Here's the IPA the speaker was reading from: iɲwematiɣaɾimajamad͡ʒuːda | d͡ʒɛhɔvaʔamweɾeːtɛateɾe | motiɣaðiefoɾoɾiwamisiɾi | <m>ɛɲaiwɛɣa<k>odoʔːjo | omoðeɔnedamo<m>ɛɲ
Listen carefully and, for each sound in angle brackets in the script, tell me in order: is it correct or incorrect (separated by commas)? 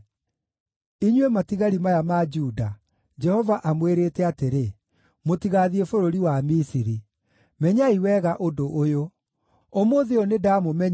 correct, incorrect, correct